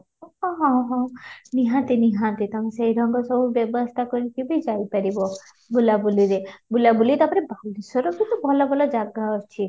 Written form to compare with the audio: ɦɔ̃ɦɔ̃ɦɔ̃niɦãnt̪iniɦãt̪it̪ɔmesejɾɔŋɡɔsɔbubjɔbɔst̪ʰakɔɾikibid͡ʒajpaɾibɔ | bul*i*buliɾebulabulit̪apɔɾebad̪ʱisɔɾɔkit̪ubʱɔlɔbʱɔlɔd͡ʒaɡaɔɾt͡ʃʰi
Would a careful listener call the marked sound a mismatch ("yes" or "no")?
yes